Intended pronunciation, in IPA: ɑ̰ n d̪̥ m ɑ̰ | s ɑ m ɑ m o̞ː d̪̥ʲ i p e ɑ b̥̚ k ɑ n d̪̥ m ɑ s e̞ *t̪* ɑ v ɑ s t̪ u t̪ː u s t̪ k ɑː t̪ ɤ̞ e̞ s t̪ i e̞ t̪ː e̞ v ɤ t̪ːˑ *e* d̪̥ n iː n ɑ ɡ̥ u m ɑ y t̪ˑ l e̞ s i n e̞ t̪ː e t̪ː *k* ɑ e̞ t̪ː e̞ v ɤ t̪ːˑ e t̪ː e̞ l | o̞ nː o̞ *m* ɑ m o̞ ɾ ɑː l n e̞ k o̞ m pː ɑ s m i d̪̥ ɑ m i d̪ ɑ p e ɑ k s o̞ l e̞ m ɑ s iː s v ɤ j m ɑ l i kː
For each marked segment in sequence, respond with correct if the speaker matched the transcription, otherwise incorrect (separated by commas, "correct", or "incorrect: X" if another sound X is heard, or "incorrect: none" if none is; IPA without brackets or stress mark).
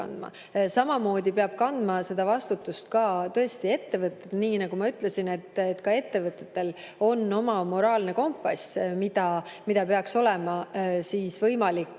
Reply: incorrect: d̪, correct, correct, correct